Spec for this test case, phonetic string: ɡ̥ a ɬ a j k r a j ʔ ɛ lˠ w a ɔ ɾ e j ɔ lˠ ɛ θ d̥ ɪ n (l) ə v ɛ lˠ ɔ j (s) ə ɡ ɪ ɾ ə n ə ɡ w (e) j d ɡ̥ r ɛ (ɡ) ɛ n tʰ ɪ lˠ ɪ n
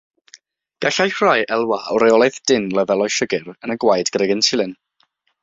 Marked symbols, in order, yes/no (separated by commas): yes, no, no, yes